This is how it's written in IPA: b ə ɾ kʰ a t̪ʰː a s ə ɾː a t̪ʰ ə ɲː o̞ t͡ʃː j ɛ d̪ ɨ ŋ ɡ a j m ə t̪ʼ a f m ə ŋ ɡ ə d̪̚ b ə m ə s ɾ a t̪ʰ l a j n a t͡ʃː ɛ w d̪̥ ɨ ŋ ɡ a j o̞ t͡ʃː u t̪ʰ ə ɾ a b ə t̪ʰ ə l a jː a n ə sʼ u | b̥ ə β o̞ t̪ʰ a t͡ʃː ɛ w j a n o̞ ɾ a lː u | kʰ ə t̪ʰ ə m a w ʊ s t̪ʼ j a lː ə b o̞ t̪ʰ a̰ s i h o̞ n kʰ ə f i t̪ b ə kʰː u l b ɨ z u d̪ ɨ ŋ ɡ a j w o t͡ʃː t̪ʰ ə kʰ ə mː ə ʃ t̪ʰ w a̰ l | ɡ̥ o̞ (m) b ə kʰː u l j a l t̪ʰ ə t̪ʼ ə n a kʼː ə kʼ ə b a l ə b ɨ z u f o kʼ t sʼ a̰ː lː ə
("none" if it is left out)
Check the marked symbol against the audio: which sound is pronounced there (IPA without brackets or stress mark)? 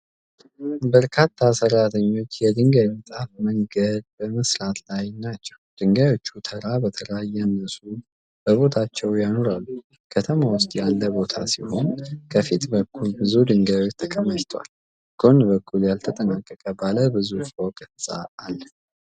n